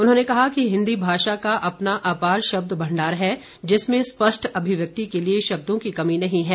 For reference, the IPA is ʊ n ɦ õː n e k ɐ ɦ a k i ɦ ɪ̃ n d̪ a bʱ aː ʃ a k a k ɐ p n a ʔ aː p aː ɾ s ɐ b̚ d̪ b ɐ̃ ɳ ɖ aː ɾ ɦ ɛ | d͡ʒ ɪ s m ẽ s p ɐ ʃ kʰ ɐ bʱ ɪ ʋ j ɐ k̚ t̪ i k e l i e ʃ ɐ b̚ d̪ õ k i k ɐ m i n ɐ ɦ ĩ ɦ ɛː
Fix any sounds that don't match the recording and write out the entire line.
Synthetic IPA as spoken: ʊ n ɦ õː n e k ɐ ɦ a k i ɦ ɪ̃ n d̪ i bʱ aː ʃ a k a ʔ ɐ p n a ʔ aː p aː ɾ ʃ ɐ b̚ d̪ b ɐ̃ ɳ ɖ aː ɾ ɦ ɛ | d͡ʒ ɪ s m ẽ s p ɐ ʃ ʈʰ ɐ bʱ ɪ ʋ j ɐ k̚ t̪ i k e l i e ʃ ɐ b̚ d̪ õ k i k ɐ m i n ɐ ɦ ĩ ɦ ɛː